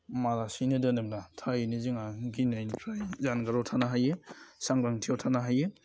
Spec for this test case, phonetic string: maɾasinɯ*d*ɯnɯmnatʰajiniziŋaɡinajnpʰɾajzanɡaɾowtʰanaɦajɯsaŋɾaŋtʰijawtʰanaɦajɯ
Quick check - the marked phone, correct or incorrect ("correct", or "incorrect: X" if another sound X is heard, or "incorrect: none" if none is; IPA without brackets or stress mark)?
correct